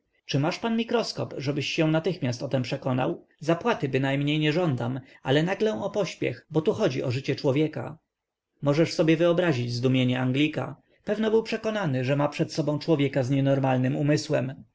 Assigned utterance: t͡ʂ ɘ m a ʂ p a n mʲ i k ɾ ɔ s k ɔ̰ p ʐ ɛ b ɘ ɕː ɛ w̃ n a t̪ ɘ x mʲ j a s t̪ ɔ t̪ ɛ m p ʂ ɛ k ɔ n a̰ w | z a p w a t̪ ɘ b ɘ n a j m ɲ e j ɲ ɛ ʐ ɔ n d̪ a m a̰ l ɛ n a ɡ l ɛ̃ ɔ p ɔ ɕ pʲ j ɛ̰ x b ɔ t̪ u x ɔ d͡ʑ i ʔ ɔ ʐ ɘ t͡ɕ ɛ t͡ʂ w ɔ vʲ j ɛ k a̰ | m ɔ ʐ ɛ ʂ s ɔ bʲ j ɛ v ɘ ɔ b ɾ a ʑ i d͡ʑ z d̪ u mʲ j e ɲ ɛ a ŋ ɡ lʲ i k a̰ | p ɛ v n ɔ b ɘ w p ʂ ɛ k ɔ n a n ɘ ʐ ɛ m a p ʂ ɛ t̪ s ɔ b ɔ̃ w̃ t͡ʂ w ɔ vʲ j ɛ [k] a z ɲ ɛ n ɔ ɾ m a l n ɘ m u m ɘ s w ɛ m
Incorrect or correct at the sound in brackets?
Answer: correct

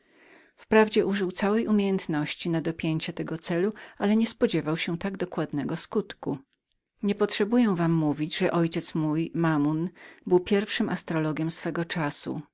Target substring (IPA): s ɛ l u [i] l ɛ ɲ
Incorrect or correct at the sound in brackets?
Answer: incorrect: a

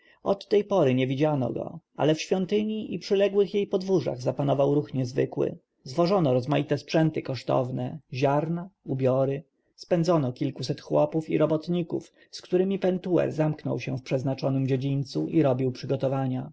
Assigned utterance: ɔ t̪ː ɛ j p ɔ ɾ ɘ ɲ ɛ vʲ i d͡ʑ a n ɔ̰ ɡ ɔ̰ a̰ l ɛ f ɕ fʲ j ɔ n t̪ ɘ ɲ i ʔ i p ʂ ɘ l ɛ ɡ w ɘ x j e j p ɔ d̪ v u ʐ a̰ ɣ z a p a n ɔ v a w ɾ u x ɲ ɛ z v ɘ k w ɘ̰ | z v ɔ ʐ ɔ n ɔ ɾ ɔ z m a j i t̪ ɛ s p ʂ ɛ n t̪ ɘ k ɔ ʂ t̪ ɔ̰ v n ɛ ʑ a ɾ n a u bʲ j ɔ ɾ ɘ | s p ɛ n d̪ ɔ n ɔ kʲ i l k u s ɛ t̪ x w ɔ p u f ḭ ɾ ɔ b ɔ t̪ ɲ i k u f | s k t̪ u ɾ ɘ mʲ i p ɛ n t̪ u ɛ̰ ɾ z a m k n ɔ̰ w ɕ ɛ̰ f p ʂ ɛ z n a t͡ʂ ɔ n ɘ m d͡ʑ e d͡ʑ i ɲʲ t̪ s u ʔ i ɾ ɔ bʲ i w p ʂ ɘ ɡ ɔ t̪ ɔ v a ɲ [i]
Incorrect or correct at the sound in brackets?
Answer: incorrect: a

